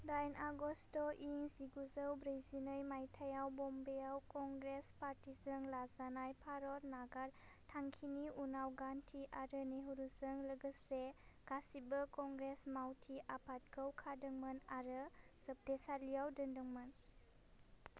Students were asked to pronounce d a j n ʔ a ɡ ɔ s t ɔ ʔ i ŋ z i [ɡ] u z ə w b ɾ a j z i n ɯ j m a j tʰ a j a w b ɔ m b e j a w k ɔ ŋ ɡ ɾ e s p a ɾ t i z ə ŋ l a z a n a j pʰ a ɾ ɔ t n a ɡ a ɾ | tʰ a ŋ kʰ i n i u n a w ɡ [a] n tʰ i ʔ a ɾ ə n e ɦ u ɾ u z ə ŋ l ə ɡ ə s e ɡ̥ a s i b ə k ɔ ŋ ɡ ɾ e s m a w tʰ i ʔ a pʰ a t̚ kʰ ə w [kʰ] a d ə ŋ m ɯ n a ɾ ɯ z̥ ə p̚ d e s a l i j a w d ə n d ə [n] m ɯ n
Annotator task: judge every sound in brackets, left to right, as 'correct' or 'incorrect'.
correct, correct, correct, incorrect

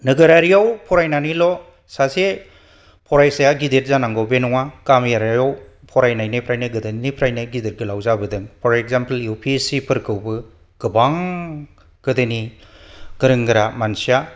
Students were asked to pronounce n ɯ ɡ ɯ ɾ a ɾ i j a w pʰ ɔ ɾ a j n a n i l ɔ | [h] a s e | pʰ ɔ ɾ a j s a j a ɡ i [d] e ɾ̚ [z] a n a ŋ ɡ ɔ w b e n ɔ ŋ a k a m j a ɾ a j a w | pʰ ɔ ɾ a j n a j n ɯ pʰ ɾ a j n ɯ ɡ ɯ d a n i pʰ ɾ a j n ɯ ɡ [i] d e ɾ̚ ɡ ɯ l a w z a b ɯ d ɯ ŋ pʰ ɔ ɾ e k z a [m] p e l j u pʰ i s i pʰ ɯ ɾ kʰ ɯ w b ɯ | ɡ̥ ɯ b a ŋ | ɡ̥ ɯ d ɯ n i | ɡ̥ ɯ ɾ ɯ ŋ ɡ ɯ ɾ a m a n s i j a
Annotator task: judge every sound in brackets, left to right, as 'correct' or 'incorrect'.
incorrect, correct, correct, correct, correct

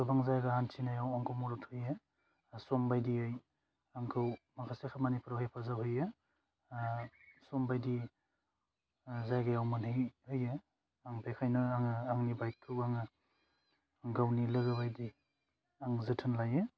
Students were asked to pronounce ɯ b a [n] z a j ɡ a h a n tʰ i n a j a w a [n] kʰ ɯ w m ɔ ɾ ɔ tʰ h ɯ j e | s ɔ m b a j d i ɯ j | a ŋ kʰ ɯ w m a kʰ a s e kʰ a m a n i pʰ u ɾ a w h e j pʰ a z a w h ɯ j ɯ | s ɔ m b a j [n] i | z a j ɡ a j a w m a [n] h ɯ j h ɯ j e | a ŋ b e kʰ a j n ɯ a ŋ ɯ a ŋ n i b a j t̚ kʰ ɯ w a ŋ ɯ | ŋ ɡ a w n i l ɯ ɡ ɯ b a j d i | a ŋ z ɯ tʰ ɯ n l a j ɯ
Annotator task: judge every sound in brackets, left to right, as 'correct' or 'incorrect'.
incorrect, incorrect, incorrect, correct

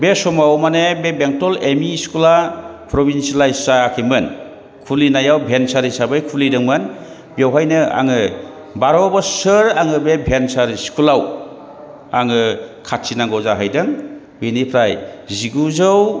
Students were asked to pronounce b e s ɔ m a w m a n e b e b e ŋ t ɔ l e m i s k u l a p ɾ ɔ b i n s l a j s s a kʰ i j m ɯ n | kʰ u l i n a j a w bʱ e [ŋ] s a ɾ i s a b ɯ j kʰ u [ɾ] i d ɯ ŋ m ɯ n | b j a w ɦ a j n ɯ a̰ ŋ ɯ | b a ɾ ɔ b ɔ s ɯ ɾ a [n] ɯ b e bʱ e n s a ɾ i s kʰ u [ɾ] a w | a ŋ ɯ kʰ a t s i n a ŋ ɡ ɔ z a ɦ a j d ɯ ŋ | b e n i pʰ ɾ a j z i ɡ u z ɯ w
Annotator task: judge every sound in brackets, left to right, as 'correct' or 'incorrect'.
incorrect, incorrect, incorrect, incorrect

